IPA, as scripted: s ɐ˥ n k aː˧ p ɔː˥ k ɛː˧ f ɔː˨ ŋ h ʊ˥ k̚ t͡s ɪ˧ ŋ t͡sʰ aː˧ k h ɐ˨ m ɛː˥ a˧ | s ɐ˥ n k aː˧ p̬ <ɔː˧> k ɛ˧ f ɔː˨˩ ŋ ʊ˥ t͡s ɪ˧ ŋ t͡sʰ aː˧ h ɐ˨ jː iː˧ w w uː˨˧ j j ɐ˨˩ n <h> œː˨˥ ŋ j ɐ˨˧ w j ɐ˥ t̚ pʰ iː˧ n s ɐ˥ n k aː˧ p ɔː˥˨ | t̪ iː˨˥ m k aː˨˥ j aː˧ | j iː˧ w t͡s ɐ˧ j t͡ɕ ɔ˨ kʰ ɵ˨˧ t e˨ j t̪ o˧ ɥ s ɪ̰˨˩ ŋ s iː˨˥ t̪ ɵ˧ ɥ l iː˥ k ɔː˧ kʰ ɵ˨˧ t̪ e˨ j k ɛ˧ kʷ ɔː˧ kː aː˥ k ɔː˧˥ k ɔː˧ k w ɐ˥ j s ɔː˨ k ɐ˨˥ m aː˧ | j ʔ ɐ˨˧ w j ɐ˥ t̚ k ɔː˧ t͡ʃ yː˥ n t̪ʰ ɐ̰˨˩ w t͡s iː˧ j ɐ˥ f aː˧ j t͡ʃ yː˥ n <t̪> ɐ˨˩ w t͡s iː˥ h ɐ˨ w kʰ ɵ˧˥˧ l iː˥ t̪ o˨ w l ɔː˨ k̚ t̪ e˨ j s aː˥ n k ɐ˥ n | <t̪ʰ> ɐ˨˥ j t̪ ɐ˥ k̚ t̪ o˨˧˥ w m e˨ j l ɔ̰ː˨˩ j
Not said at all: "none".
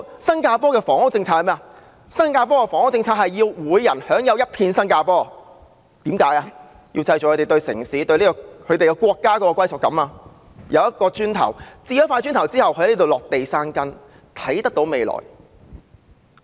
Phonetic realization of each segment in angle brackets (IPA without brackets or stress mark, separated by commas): ɔː˥, h, t̪ʰ, t̪ʰ